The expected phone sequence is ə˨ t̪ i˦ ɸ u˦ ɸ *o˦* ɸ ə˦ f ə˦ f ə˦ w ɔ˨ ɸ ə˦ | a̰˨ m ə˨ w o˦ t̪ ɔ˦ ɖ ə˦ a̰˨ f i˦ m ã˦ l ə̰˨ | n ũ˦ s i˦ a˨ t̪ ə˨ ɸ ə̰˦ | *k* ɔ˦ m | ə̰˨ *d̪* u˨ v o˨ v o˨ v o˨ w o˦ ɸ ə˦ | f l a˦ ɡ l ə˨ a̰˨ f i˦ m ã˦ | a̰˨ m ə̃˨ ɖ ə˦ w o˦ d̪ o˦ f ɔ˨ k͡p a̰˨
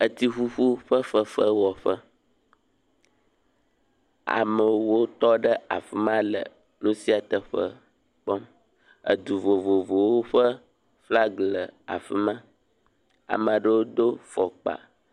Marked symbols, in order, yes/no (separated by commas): no, no, yes